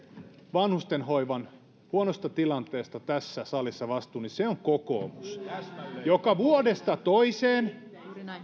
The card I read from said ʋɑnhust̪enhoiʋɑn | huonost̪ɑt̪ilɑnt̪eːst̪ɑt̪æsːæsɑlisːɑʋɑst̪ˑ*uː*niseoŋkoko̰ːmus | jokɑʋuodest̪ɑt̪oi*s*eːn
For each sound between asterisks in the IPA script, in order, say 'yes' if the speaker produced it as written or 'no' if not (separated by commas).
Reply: yes, yes